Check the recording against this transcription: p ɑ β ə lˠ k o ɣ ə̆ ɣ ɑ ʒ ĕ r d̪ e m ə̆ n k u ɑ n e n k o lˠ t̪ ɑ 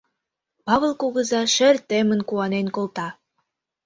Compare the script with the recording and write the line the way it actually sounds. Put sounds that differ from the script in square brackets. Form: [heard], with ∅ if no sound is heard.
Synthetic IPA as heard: p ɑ β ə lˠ k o ɣ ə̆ [z] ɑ [ʃ] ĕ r [t̪] e m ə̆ n k u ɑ n e n k o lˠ t̪ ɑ